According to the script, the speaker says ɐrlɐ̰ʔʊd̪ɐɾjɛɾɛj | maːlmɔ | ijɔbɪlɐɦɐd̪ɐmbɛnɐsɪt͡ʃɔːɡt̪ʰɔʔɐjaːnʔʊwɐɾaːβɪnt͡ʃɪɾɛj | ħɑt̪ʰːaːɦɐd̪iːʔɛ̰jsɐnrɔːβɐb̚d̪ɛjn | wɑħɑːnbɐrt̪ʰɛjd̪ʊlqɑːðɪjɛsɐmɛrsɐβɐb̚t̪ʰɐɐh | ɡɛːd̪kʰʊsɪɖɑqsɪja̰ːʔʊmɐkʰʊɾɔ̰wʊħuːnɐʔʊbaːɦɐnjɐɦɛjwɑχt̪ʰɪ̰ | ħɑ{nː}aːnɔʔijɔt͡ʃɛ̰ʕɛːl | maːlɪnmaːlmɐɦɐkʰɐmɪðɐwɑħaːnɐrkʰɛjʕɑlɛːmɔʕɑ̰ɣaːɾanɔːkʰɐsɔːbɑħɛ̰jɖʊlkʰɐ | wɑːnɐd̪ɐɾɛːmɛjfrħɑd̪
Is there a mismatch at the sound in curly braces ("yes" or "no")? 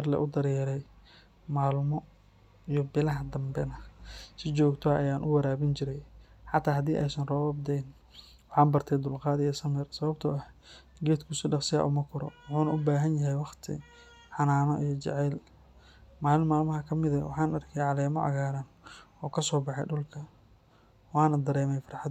yes